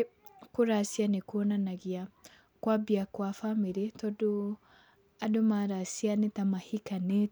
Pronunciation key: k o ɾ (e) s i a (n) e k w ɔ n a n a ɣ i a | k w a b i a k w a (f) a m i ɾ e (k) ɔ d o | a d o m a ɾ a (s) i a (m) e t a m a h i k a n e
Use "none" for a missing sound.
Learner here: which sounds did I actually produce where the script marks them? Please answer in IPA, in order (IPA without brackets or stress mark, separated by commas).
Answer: a, n, f, t, s, n